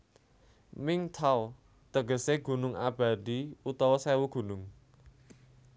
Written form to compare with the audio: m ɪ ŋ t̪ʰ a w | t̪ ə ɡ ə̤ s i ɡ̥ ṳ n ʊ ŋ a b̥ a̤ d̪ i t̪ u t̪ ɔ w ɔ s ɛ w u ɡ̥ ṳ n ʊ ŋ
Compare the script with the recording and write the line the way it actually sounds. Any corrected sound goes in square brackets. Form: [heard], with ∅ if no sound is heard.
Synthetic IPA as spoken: m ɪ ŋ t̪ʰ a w | t̪ ə ɡ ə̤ s [e] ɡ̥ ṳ n ʊ ŋ a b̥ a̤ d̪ i [∅] u t̪ ɔ w ɔ s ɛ w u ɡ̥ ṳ n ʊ ŋ